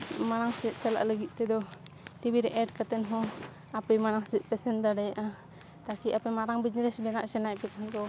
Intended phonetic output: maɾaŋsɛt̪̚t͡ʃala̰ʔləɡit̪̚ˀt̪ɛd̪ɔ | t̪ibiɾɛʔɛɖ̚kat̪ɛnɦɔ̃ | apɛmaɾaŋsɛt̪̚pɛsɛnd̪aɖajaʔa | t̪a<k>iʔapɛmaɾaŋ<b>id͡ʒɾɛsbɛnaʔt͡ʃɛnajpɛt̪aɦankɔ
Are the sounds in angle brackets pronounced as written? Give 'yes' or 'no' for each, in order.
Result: yes, yes

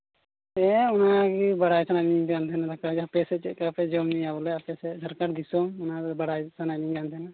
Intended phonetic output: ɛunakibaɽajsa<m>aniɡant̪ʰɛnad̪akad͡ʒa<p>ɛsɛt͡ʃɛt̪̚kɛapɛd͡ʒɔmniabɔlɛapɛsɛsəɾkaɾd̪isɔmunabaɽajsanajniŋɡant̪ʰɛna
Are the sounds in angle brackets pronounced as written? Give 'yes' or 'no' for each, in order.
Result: no, yes

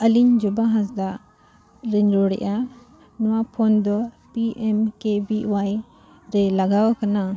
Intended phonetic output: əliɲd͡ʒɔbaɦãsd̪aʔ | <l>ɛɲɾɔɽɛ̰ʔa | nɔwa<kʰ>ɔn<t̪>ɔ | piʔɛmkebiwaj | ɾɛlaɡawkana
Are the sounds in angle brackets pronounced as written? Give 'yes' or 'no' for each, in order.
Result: no, no, no

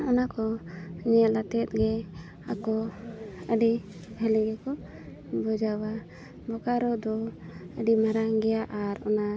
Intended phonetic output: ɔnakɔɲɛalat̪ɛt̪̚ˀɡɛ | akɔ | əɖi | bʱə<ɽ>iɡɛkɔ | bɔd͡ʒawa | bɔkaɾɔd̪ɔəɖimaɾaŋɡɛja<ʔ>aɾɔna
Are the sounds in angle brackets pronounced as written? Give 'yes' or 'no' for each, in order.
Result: no, yes

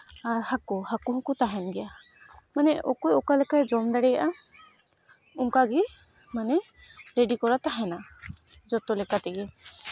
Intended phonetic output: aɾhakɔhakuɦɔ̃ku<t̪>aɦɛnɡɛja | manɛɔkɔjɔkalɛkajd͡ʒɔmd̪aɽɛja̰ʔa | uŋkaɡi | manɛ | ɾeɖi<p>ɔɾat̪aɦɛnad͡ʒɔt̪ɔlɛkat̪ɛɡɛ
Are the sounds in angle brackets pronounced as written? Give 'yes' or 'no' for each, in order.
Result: yes, no

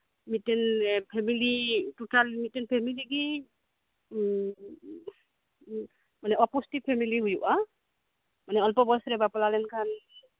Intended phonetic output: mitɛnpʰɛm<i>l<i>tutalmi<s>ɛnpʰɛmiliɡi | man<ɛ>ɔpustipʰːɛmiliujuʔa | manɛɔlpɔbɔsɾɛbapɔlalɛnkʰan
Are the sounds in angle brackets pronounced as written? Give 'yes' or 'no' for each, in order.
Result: yes, yes, no, yes

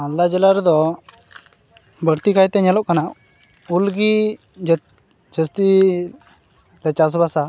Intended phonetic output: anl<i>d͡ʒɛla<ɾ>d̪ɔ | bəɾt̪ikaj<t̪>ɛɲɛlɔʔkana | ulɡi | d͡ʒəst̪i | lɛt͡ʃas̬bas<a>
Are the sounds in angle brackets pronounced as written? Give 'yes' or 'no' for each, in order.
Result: no, yes, yes, yes

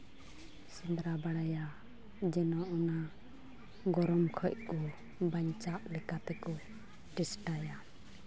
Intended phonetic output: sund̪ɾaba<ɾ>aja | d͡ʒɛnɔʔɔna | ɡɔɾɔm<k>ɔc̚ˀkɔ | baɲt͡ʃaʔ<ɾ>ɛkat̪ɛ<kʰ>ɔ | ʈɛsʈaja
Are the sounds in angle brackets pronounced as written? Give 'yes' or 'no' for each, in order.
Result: no, no, no, no

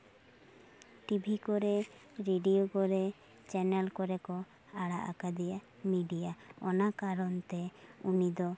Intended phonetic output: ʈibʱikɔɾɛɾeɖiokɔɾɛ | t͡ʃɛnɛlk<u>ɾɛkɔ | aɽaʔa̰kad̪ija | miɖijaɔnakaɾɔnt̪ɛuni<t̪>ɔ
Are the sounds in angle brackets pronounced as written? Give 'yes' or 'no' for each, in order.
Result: no, no

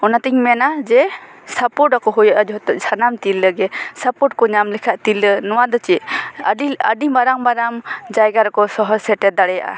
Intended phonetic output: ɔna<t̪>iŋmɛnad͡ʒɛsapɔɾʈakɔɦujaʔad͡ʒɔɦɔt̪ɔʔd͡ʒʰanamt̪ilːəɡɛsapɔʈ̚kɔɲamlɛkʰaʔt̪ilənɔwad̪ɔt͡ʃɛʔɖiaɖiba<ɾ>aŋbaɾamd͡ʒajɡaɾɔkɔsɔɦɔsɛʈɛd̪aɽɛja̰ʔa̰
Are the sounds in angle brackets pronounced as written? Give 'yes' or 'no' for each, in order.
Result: yes, yes

